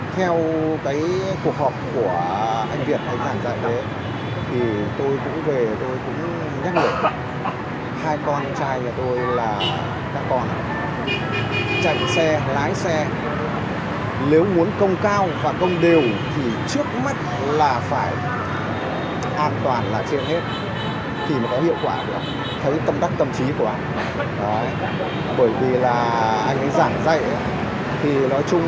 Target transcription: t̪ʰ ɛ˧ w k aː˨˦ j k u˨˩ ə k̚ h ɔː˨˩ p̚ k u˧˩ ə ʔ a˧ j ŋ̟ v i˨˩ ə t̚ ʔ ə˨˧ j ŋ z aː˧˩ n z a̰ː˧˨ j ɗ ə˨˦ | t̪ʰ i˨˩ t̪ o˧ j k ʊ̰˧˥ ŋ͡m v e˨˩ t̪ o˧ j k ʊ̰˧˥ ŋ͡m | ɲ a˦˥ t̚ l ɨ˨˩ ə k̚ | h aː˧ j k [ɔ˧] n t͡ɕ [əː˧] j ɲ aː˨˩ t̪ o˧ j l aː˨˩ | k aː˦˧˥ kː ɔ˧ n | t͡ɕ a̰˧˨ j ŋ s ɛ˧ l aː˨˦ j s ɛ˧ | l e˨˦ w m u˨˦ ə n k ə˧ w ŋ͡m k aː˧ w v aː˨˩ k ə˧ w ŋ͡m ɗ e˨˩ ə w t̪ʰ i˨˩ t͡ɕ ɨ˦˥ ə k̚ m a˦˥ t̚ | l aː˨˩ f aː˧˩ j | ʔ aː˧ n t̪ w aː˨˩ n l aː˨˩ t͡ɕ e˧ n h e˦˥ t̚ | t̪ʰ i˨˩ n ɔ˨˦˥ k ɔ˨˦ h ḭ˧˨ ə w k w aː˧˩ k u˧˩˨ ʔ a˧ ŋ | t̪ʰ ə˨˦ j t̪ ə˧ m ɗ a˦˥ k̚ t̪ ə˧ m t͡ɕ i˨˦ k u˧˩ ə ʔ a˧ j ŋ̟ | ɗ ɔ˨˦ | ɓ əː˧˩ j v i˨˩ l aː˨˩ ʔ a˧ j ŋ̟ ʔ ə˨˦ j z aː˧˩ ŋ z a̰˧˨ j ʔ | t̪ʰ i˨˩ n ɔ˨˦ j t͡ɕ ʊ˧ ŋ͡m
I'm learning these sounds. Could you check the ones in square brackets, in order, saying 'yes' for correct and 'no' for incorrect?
yes, no

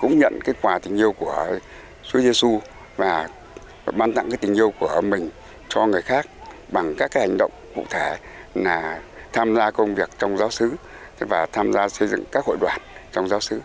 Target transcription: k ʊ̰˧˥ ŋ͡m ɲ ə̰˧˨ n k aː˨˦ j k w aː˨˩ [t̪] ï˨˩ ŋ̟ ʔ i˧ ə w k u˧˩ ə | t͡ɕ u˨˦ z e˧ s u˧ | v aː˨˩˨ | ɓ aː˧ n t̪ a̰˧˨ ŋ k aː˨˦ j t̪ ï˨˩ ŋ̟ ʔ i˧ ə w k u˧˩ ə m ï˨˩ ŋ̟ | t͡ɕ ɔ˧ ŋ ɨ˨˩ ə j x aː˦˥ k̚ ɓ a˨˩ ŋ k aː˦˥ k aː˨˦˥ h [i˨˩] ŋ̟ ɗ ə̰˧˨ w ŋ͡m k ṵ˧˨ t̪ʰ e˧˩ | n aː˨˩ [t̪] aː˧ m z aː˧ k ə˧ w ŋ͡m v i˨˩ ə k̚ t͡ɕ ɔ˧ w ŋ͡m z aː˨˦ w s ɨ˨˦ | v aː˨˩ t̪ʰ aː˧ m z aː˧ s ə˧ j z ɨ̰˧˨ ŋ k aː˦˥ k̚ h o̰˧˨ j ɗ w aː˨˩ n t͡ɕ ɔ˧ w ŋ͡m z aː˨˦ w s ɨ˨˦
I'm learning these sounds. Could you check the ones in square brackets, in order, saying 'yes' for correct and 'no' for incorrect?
yes, no, no

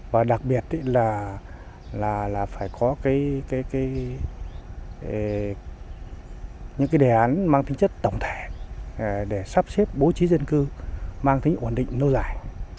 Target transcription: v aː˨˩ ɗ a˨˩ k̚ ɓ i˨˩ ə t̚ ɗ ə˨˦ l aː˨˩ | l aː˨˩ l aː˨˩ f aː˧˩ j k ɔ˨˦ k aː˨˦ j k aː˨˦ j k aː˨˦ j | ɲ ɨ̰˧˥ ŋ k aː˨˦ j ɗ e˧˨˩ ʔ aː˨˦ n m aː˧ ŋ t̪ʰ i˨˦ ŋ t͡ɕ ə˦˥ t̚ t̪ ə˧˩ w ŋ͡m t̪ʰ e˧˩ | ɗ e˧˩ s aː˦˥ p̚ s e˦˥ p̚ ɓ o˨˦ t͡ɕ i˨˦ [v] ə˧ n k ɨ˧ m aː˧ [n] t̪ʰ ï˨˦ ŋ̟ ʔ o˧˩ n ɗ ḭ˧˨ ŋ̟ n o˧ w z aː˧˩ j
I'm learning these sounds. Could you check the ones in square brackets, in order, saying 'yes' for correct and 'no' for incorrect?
no, no

